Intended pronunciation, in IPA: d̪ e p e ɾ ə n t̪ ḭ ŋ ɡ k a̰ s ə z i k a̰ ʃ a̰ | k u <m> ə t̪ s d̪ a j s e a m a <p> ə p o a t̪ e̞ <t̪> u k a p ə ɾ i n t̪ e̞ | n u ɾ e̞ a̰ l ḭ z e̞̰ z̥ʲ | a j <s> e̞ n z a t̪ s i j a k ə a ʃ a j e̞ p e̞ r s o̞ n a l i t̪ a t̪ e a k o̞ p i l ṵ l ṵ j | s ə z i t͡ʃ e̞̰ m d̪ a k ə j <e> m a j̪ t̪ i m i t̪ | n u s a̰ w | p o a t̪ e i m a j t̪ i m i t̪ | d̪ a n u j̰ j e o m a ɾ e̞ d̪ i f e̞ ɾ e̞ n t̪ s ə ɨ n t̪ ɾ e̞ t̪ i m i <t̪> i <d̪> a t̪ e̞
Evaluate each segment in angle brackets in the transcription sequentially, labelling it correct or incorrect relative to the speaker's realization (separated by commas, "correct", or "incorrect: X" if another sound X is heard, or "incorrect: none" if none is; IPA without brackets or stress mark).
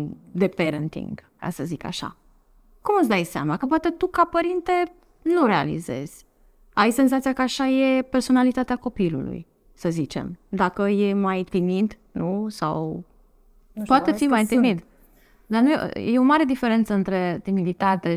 correct, incorrect: k, correct, correct, correct, incorrect: d̪, incorrect: t̪